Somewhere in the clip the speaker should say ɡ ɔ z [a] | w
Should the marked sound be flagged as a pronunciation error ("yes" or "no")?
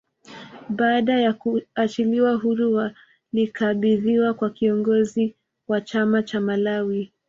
yes